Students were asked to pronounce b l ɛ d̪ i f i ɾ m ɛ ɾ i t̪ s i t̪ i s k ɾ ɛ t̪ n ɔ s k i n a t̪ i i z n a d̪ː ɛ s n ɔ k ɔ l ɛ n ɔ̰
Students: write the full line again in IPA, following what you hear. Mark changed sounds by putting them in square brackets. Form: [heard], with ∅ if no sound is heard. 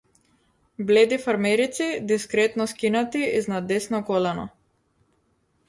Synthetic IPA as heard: b l ɛ d̪ i f [a] ɾ m ɛ ɾ i t̪ s i [d̪] i s k ɾ ɛ t̪ n ɔ s k i n a t̪ i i z n a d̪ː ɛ s n ɔ k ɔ l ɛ n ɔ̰